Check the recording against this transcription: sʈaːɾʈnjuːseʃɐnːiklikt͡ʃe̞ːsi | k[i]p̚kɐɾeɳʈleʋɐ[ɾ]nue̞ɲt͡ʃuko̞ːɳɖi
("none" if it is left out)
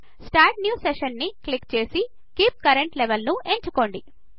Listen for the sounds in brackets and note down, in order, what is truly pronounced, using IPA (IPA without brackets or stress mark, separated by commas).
iː, l